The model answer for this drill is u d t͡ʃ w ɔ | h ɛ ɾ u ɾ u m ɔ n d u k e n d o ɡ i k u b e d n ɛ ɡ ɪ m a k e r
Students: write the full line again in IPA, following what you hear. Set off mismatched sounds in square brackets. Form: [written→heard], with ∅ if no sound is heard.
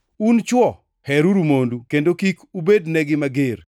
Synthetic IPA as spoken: u [d→n] t͡ʃ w ɔ | h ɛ ɾ u ɾ u m [ɔ→o] n d u k e n d o [ɡ→k] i k u b e d n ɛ ɡ ɪ m a [k→ɡ] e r